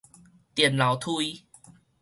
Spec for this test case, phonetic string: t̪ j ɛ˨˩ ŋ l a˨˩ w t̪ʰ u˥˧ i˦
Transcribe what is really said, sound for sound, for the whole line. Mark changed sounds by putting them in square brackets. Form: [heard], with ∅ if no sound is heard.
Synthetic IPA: t̪ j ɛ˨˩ [n] l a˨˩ w t̪ʰ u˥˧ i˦

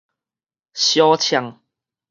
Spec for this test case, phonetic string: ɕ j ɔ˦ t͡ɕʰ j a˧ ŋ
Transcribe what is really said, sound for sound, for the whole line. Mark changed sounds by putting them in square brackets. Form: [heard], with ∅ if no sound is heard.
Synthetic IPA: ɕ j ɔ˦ t͡ɕʰ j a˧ ŋ

